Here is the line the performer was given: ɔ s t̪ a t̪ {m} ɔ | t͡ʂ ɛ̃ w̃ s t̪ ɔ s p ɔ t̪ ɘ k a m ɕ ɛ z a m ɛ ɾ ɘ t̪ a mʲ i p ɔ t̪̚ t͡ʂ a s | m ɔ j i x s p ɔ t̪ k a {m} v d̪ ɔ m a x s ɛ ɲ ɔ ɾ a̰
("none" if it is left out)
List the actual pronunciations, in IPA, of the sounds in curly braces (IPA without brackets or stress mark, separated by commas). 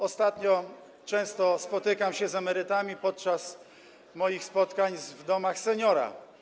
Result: ɲ, ɲ